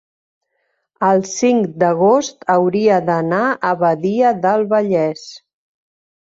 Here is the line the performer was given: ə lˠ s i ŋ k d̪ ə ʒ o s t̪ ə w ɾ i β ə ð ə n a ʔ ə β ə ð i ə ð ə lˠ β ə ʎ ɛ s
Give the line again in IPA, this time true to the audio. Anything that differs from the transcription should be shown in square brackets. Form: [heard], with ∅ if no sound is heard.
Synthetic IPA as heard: ə lˠ s i ŋ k d̪ ə [ɣ] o s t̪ ə w ɾ i [∅] ə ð ə n a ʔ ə β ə ð i ə ð ə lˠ β ə ʎ ɛ s